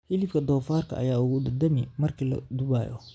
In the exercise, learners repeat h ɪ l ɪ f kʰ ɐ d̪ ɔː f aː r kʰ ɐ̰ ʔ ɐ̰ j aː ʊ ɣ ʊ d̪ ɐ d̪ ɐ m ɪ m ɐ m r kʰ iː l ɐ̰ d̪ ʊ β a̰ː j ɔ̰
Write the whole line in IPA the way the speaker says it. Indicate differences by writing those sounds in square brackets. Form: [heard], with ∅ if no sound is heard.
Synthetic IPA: h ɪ l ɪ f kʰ ɐ d̪ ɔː f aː r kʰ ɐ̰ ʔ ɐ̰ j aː ʊ ɣ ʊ d̪ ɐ d̪ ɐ m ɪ m ɐ [∅] r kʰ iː l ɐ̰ d̪ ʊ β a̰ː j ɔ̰